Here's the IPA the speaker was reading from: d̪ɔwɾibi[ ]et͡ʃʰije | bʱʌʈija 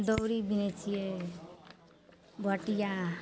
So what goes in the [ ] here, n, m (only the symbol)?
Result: n